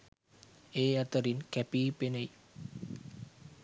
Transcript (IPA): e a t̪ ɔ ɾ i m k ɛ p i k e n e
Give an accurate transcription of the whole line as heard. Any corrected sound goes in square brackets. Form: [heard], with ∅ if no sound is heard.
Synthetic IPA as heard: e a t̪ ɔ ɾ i [n] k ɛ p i [p] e n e